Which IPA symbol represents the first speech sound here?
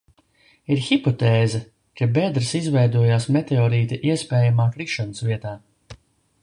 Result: i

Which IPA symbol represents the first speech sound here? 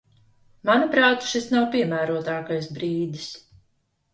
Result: m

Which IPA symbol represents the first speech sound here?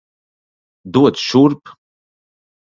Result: d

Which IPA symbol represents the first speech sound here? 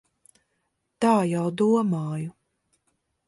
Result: t̪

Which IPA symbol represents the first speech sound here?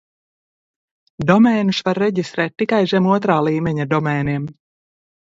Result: d̪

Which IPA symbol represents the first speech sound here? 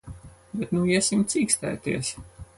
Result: b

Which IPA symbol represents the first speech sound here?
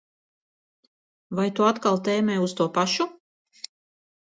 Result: v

